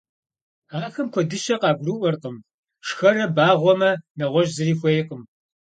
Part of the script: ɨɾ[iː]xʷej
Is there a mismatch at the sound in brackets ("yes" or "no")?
no